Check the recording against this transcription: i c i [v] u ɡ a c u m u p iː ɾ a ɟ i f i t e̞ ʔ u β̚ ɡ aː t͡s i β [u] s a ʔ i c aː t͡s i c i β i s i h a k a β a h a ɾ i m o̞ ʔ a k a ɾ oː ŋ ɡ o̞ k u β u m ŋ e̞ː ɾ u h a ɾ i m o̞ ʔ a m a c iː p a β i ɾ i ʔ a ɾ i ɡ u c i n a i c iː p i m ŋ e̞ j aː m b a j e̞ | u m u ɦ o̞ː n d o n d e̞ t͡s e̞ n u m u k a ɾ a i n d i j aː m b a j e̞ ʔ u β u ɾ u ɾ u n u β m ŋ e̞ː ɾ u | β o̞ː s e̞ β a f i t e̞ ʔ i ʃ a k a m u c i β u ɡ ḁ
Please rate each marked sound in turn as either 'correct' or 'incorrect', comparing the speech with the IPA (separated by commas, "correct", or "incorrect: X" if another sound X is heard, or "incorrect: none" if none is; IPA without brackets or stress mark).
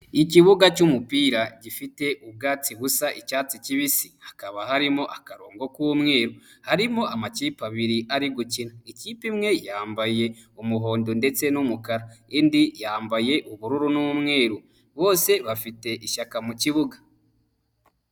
incorrect: β, correct